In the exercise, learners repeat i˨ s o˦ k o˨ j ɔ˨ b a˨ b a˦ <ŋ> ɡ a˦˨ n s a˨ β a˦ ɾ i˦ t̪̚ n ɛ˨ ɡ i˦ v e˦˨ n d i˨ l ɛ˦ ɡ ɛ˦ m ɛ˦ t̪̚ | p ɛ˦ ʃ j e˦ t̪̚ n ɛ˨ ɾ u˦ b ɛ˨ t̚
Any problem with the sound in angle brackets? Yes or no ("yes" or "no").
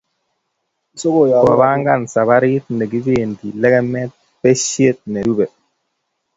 no